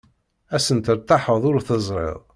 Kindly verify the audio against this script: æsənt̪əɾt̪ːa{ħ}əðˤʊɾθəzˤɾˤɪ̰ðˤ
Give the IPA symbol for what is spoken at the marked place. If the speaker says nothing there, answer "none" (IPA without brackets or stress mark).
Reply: ħ